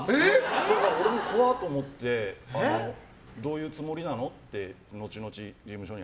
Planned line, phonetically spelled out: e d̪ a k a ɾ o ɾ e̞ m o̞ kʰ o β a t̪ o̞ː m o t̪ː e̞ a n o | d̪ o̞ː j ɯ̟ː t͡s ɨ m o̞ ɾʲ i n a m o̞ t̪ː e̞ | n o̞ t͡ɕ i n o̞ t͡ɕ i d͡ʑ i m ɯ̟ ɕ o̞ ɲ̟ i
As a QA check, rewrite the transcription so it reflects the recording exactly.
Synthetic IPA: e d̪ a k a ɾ o ɾ e̞ m o̞ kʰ o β a t̪ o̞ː m o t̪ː e̞ a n o | d̪ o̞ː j ɯ̟ː t͡s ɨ m o̞ ɾʲ i n a n o̞ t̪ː e̞ | n o̞ t͡ɕ i n o̞ t͡ɕ i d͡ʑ i m ɯ̟ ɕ o̞ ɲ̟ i